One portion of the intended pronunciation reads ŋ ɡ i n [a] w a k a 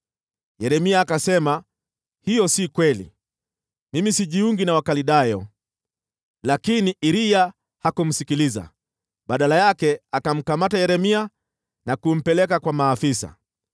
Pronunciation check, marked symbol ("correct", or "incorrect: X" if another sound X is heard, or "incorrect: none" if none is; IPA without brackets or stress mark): correct